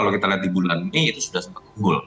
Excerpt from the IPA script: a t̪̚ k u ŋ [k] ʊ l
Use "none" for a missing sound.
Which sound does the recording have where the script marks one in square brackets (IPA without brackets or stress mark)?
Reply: ɡ